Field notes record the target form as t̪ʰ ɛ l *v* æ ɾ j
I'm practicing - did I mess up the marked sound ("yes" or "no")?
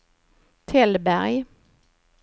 yes